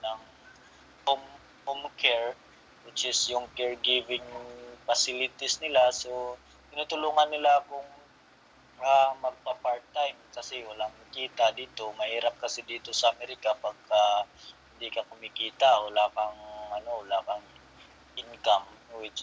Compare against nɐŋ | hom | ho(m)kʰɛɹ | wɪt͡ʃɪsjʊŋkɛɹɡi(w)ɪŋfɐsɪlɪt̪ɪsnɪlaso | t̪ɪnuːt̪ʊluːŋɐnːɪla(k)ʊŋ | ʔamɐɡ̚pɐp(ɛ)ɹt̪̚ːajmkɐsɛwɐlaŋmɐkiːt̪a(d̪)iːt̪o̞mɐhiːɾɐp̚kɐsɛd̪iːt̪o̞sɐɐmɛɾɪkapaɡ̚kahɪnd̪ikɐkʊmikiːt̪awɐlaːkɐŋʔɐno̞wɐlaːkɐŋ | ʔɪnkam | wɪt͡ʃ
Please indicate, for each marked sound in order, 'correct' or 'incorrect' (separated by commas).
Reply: correct, incorrect, correct, incorrect, correct